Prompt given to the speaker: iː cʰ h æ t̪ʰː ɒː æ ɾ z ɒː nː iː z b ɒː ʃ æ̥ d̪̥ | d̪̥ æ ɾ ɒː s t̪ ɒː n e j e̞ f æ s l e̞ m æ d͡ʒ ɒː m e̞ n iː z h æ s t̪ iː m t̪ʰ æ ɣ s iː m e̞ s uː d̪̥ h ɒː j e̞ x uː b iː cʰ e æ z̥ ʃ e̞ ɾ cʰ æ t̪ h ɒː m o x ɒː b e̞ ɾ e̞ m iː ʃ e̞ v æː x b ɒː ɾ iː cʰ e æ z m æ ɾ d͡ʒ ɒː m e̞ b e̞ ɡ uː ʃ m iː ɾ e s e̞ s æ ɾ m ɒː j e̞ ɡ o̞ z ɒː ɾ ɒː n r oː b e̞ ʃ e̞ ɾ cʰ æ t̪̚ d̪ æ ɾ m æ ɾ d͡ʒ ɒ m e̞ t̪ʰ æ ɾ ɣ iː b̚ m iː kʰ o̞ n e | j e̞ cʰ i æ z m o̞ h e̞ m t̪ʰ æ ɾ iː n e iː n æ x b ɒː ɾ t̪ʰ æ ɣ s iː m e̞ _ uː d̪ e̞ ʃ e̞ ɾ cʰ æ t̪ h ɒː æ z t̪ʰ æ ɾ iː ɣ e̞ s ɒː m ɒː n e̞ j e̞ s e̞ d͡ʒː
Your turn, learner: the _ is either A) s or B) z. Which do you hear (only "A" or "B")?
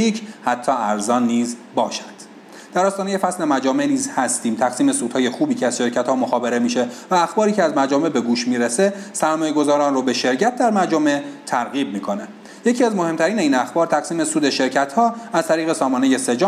A